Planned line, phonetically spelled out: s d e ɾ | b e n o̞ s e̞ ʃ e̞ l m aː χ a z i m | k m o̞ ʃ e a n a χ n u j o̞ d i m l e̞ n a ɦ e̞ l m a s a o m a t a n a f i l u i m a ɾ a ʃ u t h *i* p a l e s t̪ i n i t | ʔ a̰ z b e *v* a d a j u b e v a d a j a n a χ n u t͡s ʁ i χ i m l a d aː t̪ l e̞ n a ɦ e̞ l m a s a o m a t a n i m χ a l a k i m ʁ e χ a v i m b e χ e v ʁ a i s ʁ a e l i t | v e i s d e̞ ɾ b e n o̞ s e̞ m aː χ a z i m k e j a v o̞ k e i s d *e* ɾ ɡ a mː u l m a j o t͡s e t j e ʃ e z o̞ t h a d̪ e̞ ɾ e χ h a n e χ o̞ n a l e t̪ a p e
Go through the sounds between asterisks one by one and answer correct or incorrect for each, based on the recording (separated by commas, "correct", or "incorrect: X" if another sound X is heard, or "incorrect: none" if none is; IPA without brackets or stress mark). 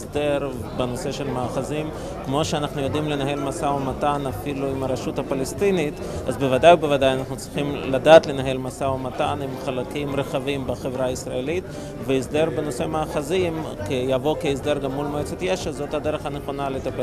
incorrect: a, correct, correct